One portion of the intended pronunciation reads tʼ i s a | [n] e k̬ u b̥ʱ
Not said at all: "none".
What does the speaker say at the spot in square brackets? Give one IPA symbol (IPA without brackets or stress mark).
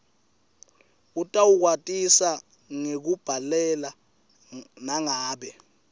ŋ